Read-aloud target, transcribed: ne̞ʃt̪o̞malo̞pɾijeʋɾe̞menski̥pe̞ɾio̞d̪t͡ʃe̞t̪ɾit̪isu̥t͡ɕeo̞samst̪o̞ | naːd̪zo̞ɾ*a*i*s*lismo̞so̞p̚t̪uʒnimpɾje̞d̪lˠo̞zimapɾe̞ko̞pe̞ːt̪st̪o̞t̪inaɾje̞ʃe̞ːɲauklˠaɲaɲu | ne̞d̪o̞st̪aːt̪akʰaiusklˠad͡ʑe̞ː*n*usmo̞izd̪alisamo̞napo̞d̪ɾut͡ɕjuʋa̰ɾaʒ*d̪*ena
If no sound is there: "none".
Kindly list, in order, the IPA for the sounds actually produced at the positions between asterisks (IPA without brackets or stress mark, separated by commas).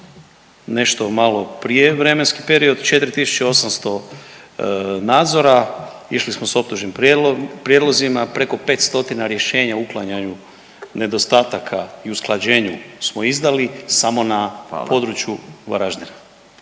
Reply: a, ʃ, ɲ, d̪